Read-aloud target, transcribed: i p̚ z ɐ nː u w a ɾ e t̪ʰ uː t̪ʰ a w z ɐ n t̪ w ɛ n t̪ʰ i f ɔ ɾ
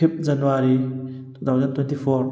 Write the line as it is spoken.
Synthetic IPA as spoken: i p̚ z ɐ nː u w a ɾ i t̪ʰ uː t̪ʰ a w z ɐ n t̪ w ɛ n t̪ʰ i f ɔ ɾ